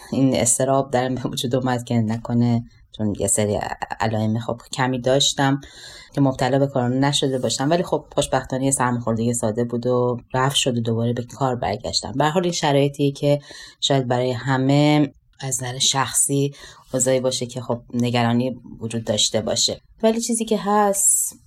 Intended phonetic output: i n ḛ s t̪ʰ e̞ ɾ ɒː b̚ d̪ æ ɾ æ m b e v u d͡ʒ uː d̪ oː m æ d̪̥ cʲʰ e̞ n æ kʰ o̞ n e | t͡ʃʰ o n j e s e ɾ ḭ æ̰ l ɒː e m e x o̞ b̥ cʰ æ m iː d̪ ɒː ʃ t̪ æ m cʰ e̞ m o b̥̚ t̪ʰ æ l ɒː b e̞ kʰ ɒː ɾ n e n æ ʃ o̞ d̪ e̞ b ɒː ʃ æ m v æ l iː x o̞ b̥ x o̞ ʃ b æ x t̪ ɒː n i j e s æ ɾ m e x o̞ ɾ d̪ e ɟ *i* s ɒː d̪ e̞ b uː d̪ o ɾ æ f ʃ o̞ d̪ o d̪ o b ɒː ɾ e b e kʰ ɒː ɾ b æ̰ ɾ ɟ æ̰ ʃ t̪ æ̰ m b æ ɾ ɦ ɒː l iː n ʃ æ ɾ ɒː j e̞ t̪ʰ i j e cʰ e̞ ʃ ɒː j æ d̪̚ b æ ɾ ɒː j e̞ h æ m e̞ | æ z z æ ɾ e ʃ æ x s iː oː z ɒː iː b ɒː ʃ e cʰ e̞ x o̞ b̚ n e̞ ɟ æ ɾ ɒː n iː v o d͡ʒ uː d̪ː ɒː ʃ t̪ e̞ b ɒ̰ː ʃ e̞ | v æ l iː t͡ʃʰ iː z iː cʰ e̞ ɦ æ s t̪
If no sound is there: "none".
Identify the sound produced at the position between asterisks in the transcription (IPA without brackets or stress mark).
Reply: e